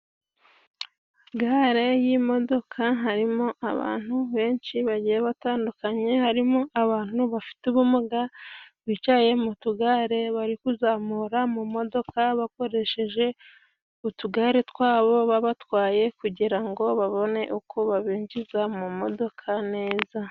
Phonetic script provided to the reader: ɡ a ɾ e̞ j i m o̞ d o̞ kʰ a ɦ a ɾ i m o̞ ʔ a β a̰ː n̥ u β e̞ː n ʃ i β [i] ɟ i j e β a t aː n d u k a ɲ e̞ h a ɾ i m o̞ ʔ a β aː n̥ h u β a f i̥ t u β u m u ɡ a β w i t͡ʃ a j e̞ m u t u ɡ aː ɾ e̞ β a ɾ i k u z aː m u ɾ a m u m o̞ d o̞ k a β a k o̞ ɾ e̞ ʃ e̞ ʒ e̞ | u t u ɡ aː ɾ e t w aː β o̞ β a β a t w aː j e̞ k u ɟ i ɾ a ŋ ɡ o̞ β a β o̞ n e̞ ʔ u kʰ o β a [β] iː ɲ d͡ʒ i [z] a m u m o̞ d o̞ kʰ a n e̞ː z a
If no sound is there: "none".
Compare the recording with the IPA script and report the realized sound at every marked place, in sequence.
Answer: a, β, z

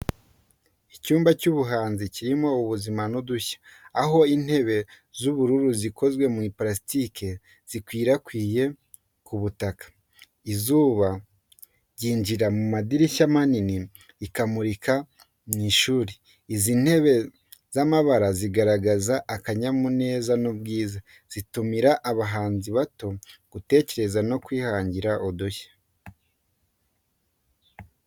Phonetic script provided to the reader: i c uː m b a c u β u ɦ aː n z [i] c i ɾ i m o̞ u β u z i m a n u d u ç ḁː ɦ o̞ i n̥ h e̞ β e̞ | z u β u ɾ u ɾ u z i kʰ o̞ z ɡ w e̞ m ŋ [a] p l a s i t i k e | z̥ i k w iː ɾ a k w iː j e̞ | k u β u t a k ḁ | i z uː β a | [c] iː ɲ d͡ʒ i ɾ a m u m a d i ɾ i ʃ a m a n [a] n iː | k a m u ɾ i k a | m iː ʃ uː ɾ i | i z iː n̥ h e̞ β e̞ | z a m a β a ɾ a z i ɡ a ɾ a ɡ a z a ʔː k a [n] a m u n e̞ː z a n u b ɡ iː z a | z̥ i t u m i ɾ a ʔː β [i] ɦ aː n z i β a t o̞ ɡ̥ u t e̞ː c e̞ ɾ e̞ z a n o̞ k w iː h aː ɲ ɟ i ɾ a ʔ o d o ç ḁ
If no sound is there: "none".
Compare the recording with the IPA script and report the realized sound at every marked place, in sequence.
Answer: i, i, ɟ, i, ɲ, a

